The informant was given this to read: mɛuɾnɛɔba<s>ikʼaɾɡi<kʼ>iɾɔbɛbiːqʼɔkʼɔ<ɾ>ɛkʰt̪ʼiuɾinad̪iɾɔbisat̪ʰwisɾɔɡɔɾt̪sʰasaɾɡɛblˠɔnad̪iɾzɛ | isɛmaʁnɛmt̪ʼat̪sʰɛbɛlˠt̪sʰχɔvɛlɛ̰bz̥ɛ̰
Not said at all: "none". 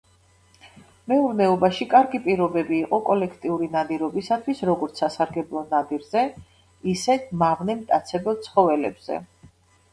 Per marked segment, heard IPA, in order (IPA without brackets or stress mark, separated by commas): ʃ, pʼ, l